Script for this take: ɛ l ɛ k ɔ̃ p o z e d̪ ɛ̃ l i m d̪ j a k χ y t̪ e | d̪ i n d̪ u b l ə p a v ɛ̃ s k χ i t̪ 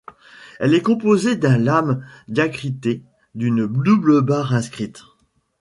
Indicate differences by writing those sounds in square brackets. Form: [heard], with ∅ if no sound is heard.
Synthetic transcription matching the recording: ɛ l ɛ k ɔ̃ p o z e d̪ ɛ̃ l [a] m d̪ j a k χ [i] t̪ e | d̪ [y] n d̪ u b l ə [b] a [ʁ] ɛ̃ s k χ i t̪

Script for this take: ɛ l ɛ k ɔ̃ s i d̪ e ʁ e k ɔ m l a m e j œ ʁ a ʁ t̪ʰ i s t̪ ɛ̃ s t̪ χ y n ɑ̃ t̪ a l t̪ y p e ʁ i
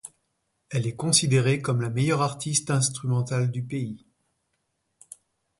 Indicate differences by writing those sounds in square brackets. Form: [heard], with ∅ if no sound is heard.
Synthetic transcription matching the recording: ɛ l ɛ k ɔ̃ s i d̪ e ʁ e k ɔ m l a m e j œ ʁ a ʁ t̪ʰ i s t̪ ɛ̃ s t̪ χ y [m] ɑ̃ t̪ a l [d̪] y p e [∅] i

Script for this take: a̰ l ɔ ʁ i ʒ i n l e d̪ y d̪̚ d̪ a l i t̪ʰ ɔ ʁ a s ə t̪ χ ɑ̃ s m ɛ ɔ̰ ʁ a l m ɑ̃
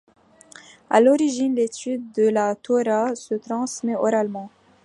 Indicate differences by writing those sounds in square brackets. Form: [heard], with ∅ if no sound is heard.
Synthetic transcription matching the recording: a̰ l ɔ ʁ i ʒ i n l e [t̪] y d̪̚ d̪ [ə] l [a] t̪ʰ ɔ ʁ a s ə t̪ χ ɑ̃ s m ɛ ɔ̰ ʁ a l m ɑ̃

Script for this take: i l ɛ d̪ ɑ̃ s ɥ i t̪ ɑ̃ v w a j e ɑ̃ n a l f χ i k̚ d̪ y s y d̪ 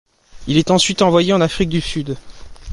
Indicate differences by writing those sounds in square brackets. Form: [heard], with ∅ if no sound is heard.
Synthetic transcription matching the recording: i l ɛ [t̪] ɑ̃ s ɥ i t̪ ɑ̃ v w a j e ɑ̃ n a [∅] f χ i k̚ d̪ y s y d̪

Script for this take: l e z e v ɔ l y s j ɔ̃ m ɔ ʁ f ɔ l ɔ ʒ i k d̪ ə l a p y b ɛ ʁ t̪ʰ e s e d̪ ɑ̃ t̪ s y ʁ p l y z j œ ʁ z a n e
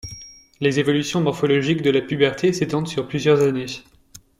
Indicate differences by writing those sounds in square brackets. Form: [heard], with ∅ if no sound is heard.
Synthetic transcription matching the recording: l e z e v ɔ l y s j ɔ̃ m ɔ ʁ f ɔ l ɔ ʒ i k d̪ ə l a p y b ɛ ʁ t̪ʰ e s e [t̪] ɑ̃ [d̪] s y ʁ p l y z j œ ʁ z a n e

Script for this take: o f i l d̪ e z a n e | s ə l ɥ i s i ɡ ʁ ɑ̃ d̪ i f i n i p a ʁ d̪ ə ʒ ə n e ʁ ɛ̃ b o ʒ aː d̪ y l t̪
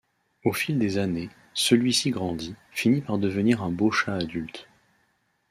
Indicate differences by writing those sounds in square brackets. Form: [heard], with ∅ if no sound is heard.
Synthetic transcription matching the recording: o f i l d̪ e z a n e | s ə l ɥ i s i ɡ ʁ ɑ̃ d̪ i f i n i p a ʁ d̪ ə [v] ə n [i] ʁ ɛ̃ b o [ʃ] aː d̪ y l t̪

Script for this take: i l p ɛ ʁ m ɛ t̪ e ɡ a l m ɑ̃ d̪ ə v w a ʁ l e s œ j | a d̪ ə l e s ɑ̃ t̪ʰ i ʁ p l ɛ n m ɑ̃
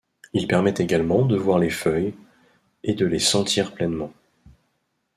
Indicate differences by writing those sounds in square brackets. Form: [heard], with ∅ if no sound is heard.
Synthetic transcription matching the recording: i l p ɛ ʁ m ɛ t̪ e ɡ a l m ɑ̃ d̪ ə v w a ʁ l e [f] œ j | [e] d̪ ə l e s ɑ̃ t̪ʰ i ʁ p l ɛ n m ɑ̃

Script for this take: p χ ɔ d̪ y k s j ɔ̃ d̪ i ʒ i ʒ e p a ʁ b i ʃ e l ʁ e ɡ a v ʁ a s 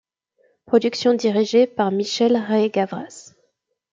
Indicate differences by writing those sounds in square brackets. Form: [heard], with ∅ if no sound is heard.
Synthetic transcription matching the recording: p χ ɔ d̪ y k s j ɔ̃ d̪ i [ʁ] i ʒ e p a ʁ [m] i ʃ [ɛ] l ʁ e ɡ a v ʁ a s

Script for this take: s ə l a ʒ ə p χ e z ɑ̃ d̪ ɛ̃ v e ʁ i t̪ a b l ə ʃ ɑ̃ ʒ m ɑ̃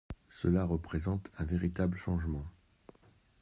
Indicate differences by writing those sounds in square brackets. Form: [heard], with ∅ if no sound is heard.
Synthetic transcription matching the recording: s ə l a [ʁ] ə p χ e z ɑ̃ [t̪] ɛ̃ v e ʁ i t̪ a b l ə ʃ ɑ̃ ʒ m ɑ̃

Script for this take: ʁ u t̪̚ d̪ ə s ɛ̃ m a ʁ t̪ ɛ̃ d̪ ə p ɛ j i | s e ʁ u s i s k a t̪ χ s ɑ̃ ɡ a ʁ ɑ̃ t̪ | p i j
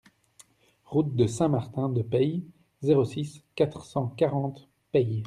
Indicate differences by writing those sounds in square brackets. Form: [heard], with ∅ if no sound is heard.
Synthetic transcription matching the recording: ʁ u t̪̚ d̪ ə s ɛ̃ m a ʁ t̪ ɛ̃ d̪ ə p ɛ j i | [z] e ʁ [o] s i s k a t̪ χ s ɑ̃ [k] a ʁ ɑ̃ t̪ | p [ɛ] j

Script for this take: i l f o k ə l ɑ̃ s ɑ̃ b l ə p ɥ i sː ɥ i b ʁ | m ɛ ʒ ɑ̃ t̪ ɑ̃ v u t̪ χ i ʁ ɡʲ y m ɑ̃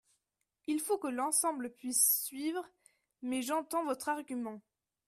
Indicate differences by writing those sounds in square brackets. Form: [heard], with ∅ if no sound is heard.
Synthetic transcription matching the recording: i l f o k ə l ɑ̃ s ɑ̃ b l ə p ɥ i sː ɥ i [v] ʁ | m ɛ ʒ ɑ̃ t̪ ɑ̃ v [ɔ] t̪ χ [a] ʁ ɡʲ y m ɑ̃

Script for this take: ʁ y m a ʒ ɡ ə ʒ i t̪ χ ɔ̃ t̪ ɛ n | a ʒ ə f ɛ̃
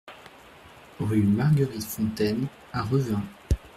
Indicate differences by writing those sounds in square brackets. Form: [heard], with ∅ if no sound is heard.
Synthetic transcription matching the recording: ʁ y m a [ʁ] ɡ ə [ʁ] i t̪ [f] ɔ̃ t̪ ɛ n | a [ʁ] ə [v] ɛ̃

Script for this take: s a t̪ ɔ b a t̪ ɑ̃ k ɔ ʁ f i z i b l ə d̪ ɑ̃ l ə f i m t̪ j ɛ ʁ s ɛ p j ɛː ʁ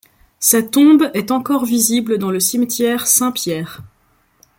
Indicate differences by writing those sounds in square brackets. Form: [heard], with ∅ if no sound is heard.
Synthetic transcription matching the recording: s a t̪ [ɔ̃] b [ɛ] t̪ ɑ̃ k ɔ ʁ [v] i z i b l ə d̪ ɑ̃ l ə [s] i m t̪ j ɛ ʁ s [ɛ̃] p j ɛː ʁ

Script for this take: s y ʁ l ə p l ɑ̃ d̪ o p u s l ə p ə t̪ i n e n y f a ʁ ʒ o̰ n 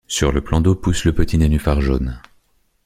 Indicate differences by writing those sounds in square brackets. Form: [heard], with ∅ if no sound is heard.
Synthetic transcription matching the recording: s y ʁ l ə p l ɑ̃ d̪ o p u s l ə p ə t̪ i n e n y f a ʁ ʒ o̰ n

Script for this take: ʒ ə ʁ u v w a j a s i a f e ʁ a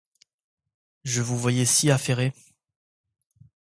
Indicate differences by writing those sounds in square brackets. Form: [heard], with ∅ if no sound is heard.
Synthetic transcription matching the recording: ʒ ə [v] u v w a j [ɛ] s i a f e ʁ [e]

